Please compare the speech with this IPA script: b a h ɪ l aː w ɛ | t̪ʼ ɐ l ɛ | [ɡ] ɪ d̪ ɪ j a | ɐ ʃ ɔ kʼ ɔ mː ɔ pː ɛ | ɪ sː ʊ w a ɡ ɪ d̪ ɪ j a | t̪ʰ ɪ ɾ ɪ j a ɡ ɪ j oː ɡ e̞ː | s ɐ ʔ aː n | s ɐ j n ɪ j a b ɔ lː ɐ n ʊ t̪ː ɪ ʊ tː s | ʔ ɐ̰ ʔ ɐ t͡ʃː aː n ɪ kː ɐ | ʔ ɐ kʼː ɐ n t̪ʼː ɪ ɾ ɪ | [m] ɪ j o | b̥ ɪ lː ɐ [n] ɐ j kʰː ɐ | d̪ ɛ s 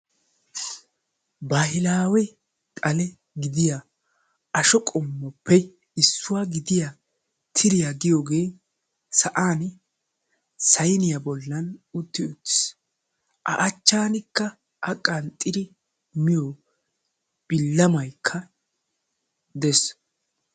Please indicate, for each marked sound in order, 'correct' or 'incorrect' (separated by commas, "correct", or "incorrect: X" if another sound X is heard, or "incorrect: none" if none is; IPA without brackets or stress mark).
correct, correct, incorrect: m